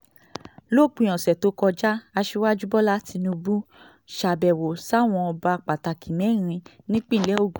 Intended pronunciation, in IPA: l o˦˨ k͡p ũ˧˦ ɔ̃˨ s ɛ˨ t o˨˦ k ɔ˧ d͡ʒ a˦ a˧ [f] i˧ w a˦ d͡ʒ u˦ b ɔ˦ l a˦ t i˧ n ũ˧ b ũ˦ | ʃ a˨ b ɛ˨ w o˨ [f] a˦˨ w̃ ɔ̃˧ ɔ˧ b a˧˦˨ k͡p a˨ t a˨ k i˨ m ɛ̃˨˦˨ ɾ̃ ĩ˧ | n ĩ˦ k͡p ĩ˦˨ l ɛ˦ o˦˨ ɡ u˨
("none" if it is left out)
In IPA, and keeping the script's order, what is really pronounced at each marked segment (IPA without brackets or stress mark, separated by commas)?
ʃ, s